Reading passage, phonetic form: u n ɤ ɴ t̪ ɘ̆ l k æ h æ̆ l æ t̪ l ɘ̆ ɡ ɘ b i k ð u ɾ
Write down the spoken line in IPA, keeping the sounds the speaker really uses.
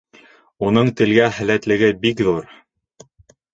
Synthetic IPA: u n ɤ ɴ t̪ ɘ̆ l ɡ æ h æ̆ l æ t̪ l ɘ̆ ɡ ɘ b i k ð u ɾ